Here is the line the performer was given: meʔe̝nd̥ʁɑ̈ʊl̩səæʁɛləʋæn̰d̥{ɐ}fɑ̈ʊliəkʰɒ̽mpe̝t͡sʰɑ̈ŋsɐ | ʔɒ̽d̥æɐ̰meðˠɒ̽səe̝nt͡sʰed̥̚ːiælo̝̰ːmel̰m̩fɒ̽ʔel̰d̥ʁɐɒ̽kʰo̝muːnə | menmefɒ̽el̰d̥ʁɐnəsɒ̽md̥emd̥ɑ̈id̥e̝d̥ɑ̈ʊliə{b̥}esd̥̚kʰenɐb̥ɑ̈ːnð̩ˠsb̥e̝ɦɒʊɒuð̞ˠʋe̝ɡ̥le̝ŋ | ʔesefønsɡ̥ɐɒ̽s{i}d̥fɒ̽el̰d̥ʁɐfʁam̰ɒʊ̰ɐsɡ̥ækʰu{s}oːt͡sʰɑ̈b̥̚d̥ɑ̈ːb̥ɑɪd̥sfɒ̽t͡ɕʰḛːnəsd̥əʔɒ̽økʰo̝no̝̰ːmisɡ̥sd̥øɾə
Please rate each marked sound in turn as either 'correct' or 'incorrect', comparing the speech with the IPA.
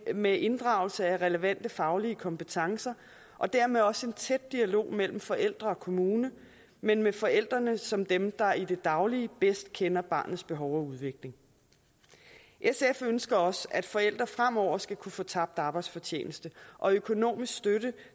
incorrect: ə, correct, incorrect: æ, incorrect: f

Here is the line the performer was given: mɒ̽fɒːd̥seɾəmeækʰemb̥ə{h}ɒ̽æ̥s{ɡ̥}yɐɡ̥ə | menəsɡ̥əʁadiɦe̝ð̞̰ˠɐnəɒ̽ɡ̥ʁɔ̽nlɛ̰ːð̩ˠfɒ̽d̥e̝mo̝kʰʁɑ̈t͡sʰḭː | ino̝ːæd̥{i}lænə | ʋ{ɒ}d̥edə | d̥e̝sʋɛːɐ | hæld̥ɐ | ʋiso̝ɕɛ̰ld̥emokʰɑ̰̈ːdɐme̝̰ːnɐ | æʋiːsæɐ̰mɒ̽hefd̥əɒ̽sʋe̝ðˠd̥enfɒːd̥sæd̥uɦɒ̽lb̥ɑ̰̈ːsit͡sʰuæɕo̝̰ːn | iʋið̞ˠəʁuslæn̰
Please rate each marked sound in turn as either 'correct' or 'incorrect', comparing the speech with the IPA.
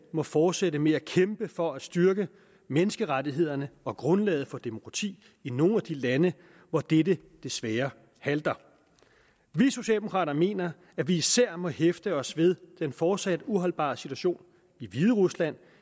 incorrect: f, incorrect: d̥, correct, correct

